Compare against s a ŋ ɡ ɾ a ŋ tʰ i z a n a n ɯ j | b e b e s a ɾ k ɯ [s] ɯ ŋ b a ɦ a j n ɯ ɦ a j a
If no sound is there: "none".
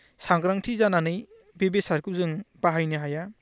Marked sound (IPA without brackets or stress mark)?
z